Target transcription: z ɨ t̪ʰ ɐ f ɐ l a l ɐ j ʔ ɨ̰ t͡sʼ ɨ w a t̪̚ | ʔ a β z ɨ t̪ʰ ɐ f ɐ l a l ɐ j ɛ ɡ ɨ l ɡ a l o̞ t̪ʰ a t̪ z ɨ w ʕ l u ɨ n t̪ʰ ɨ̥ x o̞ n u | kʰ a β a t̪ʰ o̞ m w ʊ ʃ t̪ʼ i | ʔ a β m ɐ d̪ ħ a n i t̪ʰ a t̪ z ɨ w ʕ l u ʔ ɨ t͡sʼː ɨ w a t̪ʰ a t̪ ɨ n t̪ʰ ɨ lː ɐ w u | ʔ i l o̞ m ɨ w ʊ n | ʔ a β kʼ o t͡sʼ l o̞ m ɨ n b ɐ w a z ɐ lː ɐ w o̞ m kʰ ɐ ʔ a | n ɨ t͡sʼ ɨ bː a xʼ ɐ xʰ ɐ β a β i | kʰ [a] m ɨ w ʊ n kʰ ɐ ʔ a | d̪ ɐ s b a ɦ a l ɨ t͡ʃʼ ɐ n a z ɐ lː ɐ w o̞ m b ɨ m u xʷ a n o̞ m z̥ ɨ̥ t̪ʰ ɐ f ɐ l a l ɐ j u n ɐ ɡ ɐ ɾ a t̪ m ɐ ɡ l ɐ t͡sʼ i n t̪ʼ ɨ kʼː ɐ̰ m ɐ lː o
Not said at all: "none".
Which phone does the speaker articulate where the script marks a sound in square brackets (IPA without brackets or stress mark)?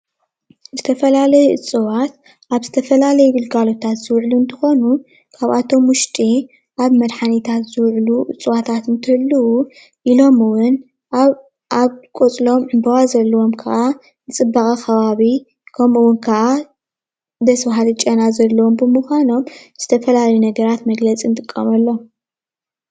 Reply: ɐ